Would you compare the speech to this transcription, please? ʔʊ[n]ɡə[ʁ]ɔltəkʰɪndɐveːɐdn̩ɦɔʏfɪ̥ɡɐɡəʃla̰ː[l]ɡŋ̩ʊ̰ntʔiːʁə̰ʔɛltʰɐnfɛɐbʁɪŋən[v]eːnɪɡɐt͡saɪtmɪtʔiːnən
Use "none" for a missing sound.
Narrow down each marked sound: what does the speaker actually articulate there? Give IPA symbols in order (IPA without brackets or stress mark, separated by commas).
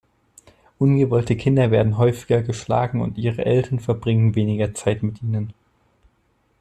n, v, none, v